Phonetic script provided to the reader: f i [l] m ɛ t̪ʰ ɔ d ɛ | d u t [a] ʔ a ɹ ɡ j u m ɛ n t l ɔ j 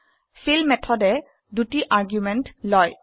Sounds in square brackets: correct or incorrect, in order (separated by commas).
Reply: correct, incorrect